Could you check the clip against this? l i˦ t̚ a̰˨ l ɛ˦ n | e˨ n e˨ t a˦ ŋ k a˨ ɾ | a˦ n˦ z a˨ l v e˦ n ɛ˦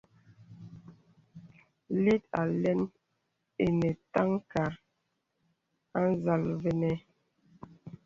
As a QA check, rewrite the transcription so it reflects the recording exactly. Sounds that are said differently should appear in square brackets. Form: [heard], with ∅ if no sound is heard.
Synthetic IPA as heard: l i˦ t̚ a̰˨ l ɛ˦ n | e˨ n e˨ t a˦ ŋ k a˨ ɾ | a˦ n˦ z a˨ l v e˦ n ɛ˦